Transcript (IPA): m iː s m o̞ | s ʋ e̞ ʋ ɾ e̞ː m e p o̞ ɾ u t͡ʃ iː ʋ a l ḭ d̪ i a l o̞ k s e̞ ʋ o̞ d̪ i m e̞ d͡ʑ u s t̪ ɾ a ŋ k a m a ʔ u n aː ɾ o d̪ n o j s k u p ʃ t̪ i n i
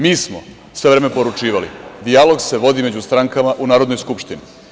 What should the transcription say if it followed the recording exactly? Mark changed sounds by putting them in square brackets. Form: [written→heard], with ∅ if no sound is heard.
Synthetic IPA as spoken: m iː s m o̞ | s ʋ e̞ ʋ ɾ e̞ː m e p o̞ ɾ u t͡ʃ iː ʋ a l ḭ d̪ i a l o̞ [k→ɡ] s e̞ ʋ o̞ d̪ i m e̞ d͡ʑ u s t̪ ɾ a ŋ k a m a ʔ u n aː ɾ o d̪ n o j s k u p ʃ t̪ i n i